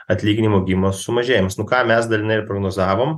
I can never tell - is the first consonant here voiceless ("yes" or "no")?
yes